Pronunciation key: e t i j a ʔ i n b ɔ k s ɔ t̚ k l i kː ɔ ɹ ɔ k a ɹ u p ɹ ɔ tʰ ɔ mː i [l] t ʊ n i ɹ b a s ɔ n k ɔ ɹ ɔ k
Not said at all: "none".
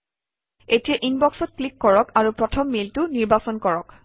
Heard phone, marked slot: l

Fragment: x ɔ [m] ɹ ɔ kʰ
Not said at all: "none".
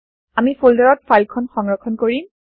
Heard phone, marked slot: ŋ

